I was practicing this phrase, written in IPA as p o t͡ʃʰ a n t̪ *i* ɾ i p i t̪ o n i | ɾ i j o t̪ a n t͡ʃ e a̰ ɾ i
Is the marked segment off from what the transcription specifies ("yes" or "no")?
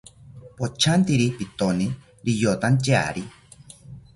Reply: no